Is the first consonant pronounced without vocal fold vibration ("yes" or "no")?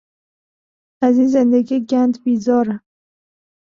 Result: no